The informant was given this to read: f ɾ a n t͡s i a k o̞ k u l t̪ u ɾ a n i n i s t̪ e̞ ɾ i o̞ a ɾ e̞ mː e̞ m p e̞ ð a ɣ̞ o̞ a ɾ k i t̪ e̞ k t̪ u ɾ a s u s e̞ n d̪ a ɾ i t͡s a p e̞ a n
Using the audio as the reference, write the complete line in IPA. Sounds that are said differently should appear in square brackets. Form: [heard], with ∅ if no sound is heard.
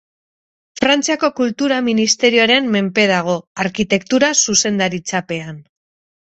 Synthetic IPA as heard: f ɾ a n t͡s i a k o̞ k u l t̪ u ɾ a [m] i n i s t̪ e̞ ɾ i o̞ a ɾ e̞ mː e̞ m p e̞ ð a ɣ̞ o̞ a ɾ k i t̪ e̞ k t̪ u ɾ a s u s e̞ n d̪ a ɾ i t͡s a p e̞ a n